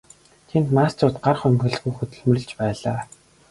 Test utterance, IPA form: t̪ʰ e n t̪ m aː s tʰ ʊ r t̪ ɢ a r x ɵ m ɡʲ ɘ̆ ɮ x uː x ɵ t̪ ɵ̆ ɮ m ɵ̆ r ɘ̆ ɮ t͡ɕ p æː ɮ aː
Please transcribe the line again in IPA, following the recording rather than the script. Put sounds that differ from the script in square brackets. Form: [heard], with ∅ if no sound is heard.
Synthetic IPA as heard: t̪ʰ e n t̪ m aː s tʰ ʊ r t̪ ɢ a r [χ] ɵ m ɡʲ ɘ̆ ɮ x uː x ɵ t̪ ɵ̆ ɮ m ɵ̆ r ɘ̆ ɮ t͡ɕ p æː ɮ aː